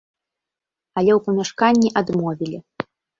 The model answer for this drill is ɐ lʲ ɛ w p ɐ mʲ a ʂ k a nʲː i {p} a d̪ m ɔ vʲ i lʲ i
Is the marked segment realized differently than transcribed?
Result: yes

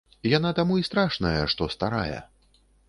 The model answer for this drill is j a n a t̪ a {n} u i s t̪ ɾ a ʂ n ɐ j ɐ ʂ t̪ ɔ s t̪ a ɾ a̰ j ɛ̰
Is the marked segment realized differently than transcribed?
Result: yes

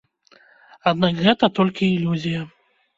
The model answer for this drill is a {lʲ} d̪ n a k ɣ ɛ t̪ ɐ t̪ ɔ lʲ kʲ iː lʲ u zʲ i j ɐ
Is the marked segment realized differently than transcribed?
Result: yes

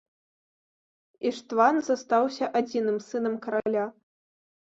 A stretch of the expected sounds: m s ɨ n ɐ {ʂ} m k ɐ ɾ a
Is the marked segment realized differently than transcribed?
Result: yes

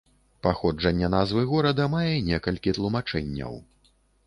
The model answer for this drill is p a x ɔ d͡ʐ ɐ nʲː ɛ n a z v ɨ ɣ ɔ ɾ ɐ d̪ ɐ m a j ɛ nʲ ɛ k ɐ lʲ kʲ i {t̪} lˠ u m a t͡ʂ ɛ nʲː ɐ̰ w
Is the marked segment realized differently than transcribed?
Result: no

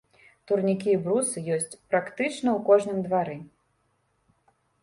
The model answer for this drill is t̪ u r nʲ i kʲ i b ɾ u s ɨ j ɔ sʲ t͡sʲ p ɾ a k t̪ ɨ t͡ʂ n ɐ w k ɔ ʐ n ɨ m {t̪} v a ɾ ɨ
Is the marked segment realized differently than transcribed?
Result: yes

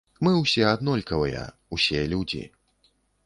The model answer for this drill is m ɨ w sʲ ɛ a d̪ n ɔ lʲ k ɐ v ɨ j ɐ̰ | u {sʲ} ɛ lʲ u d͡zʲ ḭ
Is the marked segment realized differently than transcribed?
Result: no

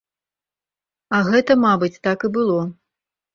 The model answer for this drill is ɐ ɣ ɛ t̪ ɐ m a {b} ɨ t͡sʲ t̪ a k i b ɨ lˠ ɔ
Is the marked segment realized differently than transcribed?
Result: no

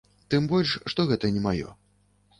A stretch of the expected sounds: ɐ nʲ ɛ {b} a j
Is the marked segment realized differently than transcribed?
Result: yes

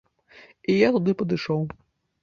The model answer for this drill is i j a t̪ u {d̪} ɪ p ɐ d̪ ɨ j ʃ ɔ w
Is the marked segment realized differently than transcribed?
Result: no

